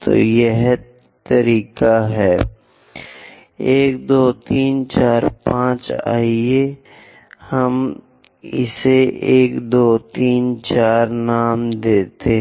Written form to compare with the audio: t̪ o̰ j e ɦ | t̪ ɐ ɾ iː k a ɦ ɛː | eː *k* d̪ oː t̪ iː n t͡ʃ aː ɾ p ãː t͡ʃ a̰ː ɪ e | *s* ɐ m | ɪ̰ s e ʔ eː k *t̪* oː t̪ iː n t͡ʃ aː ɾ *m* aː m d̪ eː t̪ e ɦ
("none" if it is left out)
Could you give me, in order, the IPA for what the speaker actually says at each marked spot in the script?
k, h, d̪, n

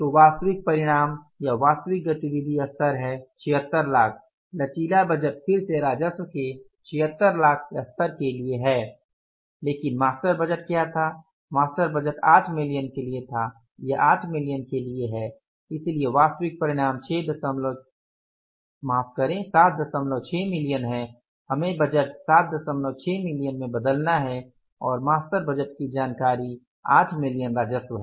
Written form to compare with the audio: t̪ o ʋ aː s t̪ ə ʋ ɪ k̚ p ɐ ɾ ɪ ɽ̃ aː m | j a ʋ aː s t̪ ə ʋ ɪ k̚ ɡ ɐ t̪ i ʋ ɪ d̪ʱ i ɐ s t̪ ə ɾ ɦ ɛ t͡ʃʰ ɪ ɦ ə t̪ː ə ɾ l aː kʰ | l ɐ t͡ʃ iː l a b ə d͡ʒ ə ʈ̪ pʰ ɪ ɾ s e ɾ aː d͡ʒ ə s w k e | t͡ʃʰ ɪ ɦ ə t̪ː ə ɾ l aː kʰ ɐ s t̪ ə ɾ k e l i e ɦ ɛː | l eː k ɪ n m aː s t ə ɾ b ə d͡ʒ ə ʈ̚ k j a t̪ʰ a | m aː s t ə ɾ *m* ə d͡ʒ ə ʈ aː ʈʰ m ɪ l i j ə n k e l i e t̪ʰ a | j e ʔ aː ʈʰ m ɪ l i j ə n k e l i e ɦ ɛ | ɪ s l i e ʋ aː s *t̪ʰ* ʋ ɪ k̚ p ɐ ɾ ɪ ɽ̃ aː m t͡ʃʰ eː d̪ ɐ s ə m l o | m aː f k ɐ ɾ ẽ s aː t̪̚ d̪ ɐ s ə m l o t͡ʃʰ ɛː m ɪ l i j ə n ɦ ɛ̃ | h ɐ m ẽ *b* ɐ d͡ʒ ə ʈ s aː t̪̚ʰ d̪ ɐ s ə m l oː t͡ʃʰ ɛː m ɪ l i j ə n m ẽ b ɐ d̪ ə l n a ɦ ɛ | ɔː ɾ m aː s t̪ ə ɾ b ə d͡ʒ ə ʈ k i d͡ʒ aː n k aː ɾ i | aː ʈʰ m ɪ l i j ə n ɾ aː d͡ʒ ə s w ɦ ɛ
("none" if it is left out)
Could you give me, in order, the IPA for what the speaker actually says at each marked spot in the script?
b, t̪, b

